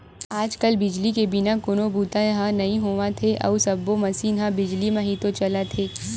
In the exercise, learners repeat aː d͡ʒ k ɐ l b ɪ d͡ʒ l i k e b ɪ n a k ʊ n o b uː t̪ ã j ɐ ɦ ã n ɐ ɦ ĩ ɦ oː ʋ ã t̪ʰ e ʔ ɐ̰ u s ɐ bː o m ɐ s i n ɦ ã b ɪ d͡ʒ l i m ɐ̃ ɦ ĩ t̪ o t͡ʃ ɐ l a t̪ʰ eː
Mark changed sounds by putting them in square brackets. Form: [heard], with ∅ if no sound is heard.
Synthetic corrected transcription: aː d͡ʒ k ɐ l b ɪ d͡ʒ l i k e b ɪ n a k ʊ n o b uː t̪ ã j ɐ ɦ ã n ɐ ɦ ĩ ɦ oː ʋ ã t̪ʰ e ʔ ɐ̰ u s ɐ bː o m ɐ s i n ɦ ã b ɪ d͡ʒ l i m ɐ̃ ɦ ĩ t̪ o t͡ʃ ɐ l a t̪ʰ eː